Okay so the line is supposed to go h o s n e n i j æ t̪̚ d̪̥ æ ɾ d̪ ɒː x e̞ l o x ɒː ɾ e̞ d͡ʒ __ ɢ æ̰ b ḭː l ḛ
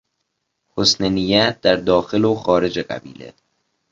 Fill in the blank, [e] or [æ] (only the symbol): e